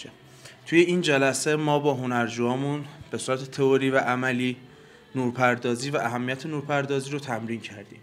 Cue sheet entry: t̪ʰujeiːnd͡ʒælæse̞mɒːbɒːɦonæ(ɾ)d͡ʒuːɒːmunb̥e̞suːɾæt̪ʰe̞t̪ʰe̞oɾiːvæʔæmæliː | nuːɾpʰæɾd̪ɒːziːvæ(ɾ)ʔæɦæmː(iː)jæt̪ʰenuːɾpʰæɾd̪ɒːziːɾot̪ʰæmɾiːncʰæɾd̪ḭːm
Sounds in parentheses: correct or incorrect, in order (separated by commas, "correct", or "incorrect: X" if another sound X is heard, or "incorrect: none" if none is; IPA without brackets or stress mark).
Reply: correct, incorrect: none, incorrect: i